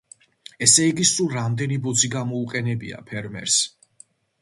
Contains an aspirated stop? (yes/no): yes